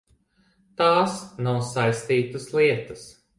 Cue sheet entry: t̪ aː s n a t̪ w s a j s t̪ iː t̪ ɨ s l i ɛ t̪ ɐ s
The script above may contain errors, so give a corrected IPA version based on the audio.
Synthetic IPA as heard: t̪ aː s n a w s a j s t̪ iː t̪ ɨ s l i ɛ t̪ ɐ s